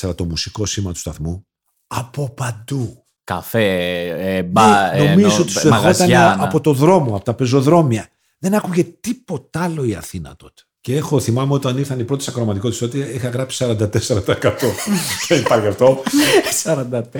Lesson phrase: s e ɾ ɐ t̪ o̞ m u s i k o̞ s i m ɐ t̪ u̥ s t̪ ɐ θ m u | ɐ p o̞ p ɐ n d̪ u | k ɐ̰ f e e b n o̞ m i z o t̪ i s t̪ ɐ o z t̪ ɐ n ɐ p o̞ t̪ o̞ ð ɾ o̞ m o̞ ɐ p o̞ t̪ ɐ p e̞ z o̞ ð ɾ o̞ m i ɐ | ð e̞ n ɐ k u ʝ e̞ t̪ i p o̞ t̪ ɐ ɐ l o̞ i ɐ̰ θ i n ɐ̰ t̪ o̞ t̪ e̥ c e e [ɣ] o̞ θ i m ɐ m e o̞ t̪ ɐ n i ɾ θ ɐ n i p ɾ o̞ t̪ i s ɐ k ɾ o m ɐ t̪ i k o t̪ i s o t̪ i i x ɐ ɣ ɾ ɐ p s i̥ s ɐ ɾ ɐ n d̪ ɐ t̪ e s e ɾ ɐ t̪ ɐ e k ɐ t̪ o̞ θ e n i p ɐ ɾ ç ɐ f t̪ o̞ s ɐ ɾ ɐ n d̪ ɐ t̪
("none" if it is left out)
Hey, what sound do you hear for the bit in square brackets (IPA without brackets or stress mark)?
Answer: x